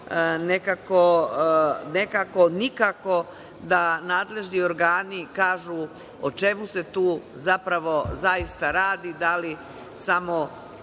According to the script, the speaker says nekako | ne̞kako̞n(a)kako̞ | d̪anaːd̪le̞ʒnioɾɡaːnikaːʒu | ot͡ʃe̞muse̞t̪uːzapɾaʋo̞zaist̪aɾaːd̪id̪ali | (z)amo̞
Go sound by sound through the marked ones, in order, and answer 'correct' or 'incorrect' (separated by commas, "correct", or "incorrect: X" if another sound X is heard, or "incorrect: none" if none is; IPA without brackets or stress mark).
incorrect: i, incorrect: s